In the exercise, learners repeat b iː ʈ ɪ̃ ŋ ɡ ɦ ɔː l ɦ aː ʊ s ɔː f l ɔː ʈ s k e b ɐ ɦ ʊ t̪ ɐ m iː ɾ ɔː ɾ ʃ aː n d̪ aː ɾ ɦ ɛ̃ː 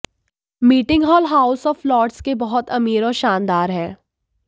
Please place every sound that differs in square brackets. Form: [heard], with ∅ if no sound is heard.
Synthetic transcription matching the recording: [m] iː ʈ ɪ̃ ŋ ɡ ɦ ɔː l ɦ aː ʊ s ɔː f l ɔː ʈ s k e b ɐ ɦ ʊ t̪ ɐ m iː ɾ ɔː ɾ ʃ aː n d̪ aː ɾ ɦ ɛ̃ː